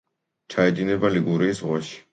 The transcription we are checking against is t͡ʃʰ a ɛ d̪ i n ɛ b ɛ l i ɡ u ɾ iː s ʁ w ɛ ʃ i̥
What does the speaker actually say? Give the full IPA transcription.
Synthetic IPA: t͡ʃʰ a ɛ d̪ i n ɛ b a l i ɡ u ɾ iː s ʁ w a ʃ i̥